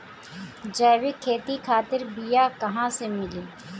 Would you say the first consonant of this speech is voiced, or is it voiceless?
voiced